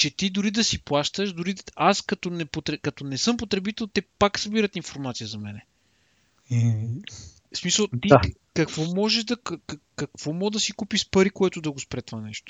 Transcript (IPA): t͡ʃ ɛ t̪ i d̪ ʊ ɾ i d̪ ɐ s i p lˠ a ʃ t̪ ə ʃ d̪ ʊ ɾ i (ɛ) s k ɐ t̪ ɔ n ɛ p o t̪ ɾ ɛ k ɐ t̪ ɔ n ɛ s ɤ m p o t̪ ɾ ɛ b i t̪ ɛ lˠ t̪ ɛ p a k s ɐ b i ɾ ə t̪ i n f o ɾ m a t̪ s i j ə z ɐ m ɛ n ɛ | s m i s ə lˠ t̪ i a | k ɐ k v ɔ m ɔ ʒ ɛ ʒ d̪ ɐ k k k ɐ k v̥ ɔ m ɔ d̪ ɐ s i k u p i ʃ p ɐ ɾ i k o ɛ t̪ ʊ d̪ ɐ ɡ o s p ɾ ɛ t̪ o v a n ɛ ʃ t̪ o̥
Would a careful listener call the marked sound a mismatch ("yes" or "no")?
yes